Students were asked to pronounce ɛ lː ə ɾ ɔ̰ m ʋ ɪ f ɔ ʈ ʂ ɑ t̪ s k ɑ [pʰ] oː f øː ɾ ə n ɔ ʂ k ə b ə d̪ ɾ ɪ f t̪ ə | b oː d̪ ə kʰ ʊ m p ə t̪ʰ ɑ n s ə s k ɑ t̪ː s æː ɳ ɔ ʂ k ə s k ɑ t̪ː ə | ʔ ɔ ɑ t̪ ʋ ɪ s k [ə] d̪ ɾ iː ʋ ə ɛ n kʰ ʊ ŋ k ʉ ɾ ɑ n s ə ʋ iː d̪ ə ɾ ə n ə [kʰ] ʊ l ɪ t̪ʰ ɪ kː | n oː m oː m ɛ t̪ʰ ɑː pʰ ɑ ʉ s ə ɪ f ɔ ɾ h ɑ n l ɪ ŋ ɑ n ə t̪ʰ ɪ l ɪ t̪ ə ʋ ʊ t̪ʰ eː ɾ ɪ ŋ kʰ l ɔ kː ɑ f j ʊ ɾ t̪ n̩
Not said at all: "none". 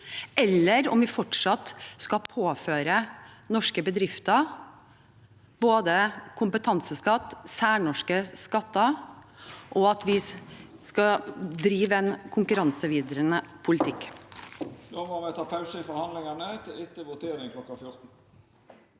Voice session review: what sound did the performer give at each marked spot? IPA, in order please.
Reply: pʰ, ɑ, pʰ

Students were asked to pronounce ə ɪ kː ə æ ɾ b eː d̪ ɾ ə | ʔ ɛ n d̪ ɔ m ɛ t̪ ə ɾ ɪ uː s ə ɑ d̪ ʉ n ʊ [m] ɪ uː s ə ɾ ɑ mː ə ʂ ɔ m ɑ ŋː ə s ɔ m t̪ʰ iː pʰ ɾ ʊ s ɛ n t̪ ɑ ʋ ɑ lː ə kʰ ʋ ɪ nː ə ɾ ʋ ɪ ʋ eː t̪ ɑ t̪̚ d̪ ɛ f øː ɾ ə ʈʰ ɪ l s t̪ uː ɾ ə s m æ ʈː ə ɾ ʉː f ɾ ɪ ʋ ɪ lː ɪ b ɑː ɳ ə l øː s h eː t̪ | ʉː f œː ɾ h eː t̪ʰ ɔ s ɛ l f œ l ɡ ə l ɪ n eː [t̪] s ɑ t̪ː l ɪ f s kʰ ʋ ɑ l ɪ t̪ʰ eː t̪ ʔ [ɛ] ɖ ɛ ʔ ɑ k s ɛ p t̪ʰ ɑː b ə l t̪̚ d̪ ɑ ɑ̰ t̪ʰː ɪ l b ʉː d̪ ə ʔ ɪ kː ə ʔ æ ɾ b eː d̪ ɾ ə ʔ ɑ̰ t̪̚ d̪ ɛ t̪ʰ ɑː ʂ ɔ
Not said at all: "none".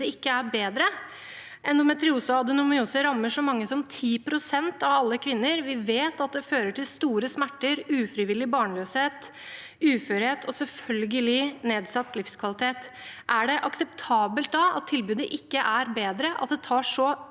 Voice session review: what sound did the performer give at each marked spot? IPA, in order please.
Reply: m, d̪, æ

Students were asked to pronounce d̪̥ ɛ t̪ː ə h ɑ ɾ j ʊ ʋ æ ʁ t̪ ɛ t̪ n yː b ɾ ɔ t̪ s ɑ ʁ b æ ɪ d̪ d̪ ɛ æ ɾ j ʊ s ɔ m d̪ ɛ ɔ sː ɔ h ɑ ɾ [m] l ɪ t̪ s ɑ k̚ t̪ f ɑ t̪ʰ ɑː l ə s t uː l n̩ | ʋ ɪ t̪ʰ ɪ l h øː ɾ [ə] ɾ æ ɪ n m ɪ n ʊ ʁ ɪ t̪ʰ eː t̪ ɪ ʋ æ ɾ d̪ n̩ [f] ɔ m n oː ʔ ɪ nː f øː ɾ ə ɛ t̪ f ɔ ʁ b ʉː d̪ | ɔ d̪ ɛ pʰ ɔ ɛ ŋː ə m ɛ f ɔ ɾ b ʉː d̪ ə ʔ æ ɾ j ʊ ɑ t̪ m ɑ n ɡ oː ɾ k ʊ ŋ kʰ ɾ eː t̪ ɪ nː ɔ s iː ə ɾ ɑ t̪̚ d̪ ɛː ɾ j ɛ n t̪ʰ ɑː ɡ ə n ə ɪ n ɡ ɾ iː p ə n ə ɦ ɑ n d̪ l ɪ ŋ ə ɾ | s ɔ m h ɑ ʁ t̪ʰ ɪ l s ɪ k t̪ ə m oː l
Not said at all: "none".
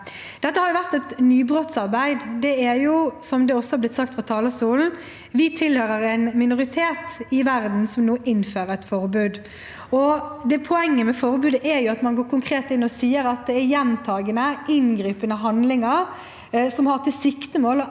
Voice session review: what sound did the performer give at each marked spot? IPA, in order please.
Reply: b, ə, s

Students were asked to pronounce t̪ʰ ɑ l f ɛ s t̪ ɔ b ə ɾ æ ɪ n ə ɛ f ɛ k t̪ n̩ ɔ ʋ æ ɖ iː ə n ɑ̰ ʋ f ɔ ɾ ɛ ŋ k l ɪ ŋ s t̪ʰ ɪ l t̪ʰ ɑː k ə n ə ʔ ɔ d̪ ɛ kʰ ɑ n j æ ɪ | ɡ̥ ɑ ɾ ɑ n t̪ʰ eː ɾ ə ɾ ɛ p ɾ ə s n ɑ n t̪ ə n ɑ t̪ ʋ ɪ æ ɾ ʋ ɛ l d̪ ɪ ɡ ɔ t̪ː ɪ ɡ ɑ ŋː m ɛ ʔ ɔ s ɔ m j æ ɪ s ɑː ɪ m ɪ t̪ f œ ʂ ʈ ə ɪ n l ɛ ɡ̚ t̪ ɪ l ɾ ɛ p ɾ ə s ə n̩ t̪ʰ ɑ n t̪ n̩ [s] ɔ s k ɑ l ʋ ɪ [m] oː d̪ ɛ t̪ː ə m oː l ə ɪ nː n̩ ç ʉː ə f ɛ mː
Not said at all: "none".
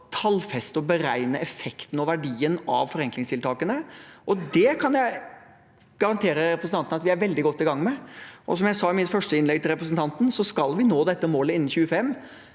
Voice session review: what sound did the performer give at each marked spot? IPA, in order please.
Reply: s, n

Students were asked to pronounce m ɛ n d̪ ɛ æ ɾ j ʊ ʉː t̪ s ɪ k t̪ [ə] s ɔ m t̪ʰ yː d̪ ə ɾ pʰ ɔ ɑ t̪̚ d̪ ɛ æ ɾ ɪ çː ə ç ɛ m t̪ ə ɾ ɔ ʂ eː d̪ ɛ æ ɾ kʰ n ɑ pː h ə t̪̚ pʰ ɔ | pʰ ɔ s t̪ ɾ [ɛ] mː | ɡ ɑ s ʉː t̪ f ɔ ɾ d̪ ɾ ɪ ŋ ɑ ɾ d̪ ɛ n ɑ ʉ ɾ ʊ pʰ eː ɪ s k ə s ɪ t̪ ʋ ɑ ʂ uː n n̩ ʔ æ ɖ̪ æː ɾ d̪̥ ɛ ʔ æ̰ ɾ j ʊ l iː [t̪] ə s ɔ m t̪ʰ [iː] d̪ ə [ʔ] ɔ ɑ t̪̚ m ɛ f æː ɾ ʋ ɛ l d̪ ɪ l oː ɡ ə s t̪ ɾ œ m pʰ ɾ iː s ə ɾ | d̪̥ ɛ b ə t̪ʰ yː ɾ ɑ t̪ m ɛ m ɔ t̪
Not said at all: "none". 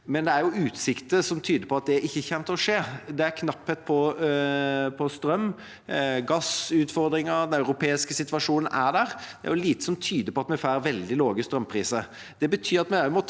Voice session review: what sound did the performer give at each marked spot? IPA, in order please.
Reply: ə, œ, t̪, yː, p

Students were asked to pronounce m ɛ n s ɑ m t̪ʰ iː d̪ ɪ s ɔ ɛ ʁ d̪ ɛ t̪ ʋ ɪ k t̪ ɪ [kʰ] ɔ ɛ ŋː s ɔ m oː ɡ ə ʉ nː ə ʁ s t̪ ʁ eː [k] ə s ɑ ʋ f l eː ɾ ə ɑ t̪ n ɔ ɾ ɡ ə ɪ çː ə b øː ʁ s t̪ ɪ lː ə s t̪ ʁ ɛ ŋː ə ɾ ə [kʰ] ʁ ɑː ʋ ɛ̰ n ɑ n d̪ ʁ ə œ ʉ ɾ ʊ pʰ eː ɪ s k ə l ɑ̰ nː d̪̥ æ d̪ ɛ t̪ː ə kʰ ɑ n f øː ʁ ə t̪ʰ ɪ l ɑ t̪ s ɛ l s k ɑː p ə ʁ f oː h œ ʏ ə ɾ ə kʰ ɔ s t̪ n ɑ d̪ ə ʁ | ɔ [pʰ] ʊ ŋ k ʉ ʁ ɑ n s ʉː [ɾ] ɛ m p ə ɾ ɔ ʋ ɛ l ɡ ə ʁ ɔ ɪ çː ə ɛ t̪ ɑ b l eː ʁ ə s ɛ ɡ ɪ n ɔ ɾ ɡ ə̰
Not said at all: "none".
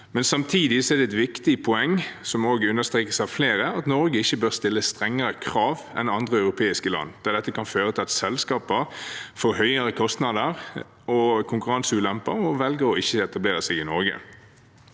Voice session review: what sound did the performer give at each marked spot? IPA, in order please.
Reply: pʰ, k, kʰ, kʰ, l

